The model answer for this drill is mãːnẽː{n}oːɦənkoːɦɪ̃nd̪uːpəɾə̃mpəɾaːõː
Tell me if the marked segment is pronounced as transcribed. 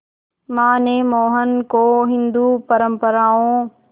no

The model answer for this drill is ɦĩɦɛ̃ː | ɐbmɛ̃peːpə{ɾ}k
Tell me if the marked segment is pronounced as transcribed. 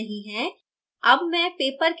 yes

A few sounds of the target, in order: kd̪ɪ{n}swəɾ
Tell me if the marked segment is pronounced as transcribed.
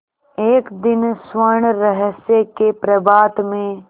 yes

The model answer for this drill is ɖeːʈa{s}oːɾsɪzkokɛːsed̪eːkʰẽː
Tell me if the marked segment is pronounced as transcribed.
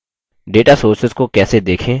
yes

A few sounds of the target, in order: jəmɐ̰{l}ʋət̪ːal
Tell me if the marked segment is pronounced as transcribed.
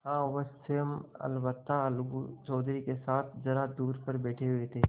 yes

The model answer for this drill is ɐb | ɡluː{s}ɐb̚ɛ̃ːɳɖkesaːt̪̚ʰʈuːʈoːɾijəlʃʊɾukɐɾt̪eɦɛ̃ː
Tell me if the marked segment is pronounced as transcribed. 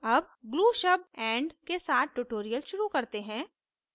no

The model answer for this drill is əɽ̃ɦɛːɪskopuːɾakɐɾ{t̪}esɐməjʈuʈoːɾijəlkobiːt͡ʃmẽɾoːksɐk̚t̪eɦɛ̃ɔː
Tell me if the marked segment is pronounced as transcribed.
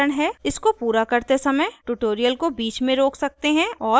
yes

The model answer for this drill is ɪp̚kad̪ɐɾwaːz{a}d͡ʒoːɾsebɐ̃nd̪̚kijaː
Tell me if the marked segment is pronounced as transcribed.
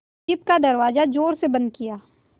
yes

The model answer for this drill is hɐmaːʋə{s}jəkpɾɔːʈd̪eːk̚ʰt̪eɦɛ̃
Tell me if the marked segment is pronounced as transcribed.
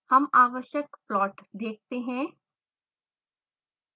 no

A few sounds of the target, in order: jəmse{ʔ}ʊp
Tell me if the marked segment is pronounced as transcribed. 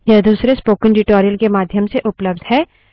yes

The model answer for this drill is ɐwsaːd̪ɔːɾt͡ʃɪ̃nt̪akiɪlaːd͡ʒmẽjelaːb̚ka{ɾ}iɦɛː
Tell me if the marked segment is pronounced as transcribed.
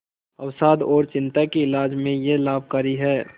yes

